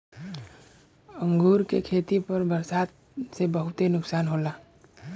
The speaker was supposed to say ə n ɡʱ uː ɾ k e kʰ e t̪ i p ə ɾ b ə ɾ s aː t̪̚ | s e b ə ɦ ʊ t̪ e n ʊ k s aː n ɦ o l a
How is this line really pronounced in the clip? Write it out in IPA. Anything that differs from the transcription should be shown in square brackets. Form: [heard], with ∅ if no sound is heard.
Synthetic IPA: ə [ŋ] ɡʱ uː ɾ k e kʰ e t̪ i p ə ɾ b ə ɾ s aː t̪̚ | s e b ə ɦ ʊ t̪ e n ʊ k s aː n ɦ o l a